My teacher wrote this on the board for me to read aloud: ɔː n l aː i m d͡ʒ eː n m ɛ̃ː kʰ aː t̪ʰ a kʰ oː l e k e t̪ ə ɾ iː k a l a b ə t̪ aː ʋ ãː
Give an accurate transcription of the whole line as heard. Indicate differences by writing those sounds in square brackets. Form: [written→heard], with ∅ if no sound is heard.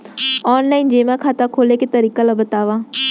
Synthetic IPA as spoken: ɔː n l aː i [m→n] d͡ʒ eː [n→∅] m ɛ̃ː kʰ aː [t̪ʰ→t̪] a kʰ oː l e k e t̪ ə ɾ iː k a l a b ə t̪ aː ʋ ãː

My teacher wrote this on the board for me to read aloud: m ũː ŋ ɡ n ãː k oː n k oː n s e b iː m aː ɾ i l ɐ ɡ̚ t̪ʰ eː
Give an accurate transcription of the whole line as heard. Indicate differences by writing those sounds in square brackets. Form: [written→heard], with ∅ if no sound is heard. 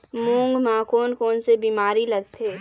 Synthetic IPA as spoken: m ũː ŋ ɡ [n→m] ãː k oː n k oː n s e b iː m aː ɾ i l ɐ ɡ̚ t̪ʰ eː

